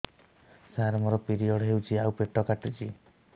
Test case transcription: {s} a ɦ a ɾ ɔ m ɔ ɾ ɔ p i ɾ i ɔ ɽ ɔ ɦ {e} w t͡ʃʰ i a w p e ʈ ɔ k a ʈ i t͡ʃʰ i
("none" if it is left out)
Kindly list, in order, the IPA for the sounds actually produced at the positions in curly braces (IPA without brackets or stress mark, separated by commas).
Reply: s, e